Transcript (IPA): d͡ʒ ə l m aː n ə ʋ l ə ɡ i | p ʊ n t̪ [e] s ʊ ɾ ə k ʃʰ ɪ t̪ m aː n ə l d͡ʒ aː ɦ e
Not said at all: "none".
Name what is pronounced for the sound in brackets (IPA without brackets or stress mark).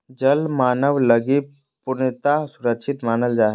a